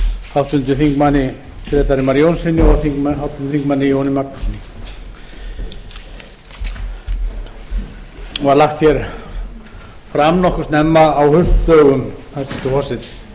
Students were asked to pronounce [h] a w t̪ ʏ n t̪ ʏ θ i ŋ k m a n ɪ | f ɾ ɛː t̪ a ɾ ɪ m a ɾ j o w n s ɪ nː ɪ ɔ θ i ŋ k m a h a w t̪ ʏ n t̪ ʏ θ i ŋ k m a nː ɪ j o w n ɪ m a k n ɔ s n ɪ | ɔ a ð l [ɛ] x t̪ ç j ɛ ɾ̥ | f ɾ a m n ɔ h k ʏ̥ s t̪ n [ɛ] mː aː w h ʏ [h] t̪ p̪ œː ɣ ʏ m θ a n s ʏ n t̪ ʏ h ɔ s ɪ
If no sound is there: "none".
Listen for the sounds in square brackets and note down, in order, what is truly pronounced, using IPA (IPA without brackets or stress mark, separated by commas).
h, a, ɛ, s